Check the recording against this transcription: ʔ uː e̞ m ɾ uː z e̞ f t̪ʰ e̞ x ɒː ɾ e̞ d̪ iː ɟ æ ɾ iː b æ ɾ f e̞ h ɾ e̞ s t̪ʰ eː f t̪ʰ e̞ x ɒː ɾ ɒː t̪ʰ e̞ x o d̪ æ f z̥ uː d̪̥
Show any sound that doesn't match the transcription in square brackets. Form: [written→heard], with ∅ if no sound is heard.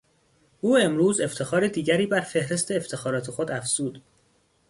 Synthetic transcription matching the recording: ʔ uː e̞ m ɾ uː z e̞ f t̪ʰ e̞ x ɒː ɾ e̞ d̪ iː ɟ æ ɾ iː b æ ɾ f e̞ h ɾ e̞ s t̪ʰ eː f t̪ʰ e̞ x ɒː ɾ ɒː t̪ʰ e̞ x o d̪ æ f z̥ uː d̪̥